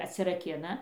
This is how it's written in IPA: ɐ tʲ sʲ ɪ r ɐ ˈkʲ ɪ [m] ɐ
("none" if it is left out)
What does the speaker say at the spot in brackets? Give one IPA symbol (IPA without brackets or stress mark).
n